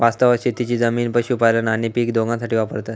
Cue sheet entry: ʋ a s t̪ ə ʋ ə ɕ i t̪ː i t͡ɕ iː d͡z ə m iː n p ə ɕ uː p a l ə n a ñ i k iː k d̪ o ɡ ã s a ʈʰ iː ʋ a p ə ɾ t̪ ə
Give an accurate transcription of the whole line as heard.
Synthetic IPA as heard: ʋ a s t̪ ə ʋ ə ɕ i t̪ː i t͡ɕ iː d͡z ə m iː n p ə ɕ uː p a l ə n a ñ i p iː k d̪ o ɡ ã s a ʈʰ iː ʋ a p ə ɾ t̪ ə